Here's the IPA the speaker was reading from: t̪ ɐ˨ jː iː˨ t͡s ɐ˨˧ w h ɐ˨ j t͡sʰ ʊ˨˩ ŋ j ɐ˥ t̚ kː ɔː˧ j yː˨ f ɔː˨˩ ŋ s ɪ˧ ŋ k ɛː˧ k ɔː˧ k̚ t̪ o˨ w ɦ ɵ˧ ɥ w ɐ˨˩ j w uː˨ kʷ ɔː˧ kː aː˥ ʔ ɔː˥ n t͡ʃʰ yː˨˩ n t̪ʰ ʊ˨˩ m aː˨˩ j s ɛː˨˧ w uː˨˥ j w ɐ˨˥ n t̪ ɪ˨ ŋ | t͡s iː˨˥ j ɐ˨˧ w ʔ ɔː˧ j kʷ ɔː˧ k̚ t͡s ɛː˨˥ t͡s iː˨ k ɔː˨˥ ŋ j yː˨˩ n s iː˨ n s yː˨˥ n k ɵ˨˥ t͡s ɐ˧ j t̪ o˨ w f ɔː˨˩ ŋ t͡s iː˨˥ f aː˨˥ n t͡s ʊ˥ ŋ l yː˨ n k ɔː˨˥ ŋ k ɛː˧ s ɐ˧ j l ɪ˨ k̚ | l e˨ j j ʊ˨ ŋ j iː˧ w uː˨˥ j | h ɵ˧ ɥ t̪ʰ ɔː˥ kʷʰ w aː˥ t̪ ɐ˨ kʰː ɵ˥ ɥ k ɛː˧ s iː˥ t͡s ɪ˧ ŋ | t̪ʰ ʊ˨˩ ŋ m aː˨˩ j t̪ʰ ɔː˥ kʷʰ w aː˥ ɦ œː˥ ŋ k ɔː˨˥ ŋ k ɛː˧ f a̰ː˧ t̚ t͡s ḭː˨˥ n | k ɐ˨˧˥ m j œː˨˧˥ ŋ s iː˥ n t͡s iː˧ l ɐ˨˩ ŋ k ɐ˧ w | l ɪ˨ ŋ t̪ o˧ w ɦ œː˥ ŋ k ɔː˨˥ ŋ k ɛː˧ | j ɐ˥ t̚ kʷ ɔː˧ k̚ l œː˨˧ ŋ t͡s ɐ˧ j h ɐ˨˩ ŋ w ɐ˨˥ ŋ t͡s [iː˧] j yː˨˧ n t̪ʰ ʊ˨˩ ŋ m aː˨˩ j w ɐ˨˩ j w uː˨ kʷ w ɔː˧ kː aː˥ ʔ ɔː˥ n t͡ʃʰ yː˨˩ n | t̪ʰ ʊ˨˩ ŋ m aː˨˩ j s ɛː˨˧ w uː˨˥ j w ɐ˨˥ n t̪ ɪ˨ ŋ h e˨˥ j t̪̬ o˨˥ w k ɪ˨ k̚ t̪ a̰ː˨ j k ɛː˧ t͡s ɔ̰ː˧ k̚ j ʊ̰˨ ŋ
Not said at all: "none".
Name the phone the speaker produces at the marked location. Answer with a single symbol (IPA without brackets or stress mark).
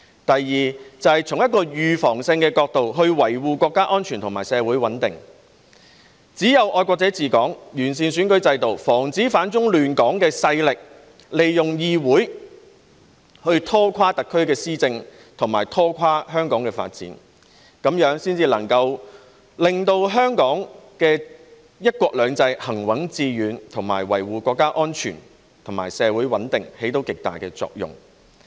iː˧